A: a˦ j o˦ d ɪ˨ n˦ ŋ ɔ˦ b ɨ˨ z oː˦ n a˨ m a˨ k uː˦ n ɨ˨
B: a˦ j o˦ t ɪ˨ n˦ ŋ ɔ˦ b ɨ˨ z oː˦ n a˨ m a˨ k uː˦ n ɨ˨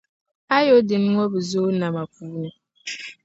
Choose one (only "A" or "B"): A